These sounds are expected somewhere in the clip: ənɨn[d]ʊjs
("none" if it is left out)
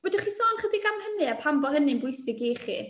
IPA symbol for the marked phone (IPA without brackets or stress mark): b